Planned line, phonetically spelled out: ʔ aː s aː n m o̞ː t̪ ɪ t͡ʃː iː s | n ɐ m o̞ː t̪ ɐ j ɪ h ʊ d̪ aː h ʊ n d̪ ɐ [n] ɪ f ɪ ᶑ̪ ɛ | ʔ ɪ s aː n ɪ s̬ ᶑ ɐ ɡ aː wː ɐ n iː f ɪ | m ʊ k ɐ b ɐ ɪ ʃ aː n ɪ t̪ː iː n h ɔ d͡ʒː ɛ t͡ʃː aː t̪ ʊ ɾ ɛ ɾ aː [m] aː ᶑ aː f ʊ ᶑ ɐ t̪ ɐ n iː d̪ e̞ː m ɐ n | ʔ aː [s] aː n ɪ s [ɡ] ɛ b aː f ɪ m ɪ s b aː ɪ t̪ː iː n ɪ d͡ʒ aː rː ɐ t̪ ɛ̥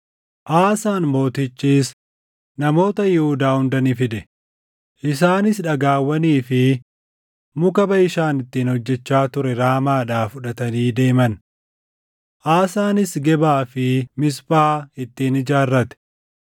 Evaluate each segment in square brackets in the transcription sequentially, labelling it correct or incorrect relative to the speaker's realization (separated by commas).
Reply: correct, correct, correct, correct